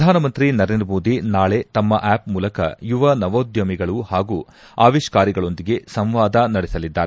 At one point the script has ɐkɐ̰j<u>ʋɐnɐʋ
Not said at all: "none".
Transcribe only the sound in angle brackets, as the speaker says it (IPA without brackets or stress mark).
u